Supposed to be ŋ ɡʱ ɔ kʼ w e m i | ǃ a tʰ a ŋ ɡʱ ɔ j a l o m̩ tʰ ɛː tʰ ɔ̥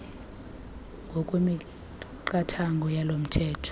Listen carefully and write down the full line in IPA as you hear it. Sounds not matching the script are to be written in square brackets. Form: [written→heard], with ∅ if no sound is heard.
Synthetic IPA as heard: ŋ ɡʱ ɔ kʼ w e m i | ǃ a tʰ a ŋ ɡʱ ɔ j a l o m̩ tʰ ɛː tʰ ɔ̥